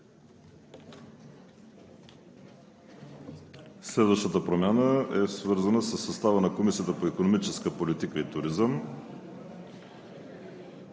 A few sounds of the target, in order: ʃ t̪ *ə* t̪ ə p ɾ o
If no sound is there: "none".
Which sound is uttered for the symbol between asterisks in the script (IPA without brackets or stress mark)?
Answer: ə